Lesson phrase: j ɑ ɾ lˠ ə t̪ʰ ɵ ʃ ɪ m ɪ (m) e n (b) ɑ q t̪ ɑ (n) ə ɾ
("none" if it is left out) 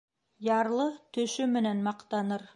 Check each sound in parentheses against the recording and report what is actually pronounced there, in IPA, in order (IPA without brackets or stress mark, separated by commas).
n, m, n